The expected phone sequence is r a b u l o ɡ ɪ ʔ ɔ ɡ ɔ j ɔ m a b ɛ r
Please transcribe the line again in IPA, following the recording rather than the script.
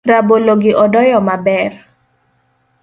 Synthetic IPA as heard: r a b o l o ɡ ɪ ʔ ɔ d ɔ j ɔ m a b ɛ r

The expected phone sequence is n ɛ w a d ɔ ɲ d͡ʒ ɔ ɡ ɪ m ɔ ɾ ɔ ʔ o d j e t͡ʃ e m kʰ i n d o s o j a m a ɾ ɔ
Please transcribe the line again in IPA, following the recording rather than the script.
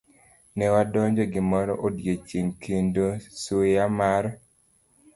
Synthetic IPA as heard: n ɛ w a d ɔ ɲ d͡ʒ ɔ ɡ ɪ m ɔ ɾ ɔ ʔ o d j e t͡ʃ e ŋ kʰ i n d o s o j a m a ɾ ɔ

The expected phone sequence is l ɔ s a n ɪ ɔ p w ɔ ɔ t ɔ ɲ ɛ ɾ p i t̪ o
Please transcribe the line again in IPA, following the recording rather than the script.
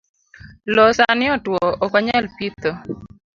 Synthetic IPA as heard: l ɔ s a n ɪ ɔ t w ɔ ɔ k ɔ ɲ ɛ l p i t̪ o

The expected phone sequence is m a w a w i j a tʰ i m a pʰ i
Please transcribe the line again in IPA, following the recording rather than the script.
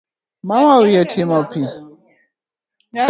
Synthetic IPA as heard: m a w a w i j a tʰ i m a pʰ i

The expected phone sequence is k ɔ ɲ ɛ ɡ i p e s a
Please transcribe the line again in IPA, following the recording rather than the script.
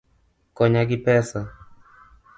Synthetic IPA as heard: k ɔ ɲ a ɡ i p ɛ s a

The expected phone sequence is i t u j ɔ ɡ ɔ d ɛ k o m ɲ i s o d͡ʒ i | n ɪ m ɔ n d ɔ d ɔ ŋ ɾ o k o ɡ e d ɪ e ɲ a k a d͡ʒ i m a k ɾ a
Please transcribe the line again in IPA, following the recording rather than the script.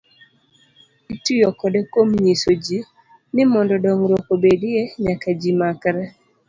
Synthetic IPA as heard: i t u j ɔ k ɔ d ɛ k o m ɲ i s o d͡ʒ i | n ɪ m ɔ n d ɔ d ɔ ŋ ɾ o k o b e d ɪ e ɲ a k a d͡ʒ i m a k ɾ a

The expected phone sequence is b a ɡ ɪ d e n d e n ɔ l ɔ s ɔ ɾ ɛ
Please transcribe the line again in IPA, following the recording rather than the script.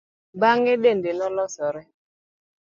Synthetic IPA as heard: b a ŋ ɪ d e n d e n ɔ l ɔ s ɔ ɾ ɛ

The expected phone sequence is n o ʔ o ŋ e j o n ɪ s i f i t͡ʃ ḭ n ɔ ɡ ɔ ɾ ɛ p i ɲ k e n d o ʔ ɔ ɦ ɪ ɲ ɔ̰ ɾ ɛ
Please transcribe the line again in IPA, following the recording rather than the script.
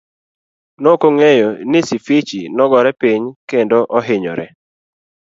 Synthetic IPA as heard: n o k o ŋ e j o n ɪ s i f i t͡ʃ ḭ n ɔ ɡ ɔ ɾ ɛ p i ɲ k e n d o ʔ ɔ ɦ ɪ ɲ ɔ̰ ɾ ɛ

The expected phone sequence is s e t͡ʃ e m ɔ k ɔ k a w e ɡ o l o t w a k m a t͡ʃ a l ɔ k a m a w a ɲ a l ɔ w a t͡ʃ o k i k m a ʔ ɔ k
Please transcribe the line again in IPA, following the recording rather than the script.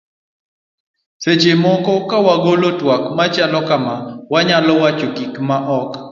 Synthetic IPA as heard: s e t͡ʃ e m ɔ k ɔ k a w a ɡ o l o t w a k m a t͡ʃ a l ɔ k a m a w a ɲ a l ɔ w a t͡ʃ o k i k m a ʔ ɔ k

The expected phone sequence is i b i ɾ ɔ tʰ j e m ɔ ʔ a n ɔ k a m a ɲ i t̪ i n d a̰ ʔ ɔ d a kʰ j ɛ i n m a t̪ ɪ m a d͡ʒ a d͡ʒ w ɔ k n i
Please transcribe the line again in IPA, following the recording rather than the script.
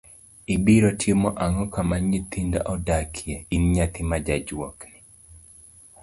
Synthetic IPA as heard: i b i ɾ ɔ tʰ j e m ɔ ʔ a ŋ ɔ k a m a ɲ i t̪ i n d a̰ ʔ ɔ d a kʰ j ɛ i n ɲ a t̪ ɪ m a d͡ʒ a d͡ʒ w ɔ k n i

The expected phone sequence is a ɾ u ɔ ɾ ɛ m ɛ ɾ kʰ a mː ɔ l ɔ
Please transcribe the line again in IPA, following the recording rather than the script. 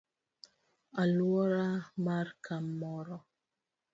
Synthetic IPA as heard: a l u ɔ ɾ a m a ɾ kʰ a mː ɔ ɾ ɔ

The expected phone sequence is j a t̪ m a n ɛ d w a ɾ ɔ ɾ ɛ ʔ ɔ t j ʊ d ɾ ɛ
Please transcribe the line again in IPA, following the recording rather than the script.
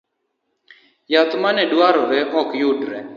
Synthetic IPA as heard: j a t̪ m a n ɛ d w a ɾ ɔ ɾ ɛ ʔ ɔ k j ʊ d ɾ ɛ

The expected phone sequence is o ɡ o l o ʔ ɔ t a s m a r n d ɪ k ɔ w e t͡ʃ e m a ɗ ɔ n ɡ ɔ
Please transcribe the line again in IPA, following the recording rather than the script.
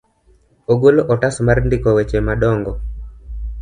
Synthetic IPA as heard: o ɡ o l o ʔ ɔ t a s m a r n d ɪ k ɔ w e t͡ʃ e m a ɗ ɔ ŋ ɡ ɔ

